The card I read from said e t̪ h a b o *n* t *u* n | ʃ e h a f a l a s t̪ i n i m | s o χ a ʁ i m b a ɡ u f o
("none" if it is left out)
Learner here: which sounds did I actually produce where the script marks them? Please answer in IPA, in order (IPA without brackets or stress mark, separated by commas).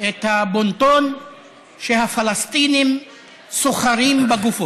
n, o